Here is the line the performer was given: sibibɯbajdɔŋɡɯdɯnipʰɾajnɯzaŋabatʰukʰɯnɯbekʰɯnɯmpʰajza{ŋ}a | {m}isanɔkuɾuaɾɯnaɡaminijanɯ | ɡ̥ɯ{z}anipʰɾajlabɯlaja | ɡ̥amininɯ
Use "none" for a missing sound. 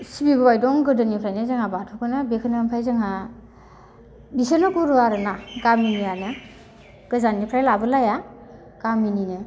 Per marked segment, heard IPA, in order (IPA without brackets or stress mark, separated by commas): ŋ, b, z